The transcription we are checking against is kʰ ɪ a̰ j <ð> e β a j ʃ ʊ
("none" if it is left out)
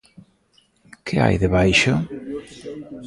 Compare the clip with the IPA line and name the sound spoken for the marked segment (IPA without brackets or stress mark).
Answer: ð